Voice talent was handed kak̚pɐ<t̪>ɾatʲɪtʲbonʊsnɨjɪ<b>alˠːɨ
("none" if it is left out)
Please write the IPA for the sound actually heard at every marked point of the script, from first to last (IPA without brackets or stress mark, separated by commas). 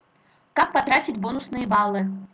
t̪, b